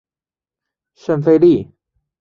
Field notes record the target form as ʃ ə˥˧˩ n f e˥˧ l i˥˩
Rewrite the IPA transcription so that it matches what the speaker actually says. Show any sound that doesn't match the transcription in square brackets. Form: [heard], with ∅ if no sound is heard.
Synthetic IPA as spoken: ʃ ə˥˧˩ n f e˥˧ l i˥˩